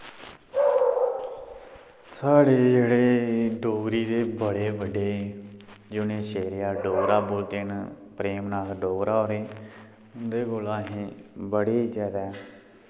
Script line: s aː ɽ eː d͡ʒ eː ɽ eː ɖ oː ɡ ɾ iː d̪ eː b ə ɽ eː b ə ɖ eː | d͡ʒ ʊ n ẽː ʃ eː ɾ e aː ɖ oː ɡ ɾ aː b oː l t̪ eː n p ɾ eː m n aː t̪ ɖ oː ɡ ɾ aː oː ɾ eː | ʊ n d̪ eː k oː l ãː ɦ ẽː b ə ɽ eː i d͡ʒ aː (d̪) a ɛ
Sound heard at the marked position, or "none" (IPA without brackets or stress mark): d̪